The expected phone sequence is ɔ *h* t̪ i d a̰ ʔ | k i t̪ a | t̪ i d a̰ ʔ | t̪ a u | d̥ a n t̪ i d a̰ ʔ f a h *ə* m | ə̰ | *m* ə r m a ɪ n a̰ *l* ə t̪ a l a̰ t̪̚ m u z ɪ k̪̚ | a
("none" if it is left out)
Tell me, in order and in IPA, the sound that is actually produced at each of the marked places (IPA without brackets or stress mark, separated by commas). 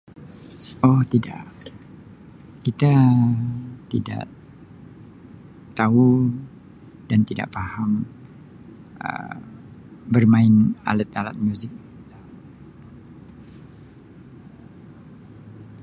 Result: h, a, b, l